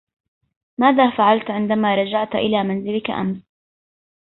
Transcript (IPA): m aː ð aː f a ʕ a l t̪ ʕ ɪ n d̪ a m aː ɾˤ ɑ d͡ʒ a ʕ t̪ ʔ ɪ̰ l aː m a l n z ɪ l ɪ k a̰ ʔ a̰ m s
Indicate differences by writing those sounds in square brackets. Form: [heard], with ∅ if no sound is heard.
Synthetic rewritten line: m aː ð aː f a ʕ a l t̪ ʕ ɪ n d̪ a m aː ɾˤ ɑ d͡ʒ a ʕ t̪ ʔ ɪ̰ l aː m a [∅] n z ɪ l ɪ k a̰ ʔ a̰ m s